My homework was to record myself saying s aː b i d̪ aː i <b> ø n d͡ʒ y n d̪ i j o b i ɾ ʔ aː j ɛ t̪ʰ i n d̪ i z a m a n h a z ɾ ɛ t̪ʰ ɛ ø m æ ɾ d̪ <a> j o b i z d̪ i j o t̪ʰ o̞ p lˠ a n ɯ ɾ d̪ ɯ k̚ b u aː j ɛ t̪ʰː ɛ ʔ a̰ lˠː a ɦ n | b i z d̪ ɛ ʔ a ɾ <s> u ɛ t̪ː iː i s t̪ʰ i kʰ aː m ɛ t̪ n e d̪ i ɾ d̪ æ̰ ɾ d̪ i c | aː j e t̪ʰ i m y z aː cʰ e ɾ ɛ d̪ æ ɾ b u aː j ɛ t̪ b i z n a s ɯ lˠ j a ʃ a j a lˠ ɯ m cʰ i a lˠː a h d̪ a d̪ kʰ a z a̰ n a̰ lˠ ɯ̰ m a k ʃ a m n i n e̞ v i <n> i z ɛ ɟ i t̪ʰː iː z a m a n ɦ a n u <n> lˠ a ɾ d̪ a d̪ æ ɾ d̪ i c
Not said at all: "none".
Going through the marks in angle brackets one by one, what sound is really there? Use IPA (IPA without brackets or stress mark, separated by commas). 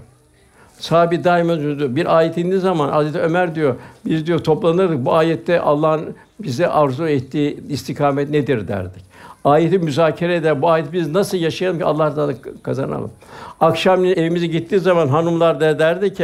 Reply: m, i, z, m, m